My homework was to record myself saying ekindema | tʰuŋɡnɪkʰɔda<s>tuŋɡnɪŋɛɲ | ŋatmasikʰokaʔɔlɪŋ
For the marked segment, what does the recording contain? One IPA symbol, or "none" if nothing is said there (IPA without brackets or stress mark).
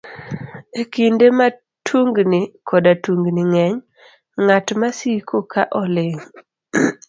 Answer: none